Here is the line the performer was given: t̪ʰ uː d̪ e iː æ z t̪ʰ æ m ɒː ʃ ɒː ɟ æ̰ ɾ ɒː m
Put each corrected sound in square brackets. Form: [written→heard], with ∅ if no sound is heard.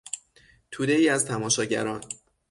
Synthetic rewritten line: t̪ʰ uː d̪ e iː æ z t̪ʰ æ m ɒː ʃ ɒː ɟ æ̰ ɾ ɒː [m→n]